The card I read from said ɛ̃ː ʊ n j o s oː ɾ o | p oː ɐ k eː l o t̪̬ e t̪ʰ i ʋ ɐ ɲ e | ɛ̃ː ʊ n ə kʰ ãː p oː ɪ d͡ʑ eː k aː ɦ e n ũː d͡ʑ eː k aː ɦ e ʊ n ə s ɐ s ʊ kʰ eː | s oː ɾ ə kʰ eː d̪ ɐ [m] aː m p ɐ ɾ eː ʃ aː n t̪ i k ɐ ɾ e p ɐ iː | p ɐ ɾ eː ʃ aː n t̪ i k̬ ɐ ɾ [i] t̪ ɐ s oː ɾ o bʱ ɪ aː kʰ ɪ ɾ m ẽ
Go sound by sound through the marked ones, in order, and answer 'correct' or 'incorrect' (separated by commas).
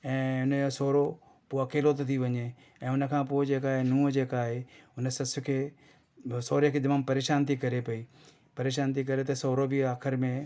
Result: correct, incorrect